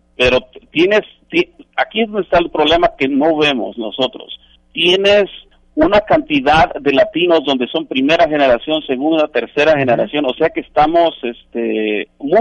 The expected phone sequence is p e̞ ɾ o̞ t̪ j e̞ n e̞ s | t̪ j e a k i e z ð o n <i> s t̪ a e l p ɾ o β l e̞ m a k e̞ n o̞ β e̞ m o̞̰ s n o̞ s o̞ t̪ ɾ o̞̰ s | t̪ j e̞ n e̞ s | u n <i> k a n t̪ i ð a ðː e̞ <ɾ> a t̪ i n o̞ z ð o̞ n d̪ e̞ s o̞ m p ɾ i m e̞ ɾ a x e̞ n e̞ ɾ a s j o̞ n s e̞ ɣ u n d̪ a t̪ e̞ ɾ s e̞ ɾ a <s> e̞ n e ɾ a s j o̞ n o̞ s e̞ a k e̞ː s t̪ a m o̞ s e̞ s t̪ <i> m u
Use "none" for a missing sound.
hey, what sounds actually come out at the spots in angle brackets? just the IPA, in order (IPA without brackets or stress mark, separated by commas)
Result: e, a, l, x, e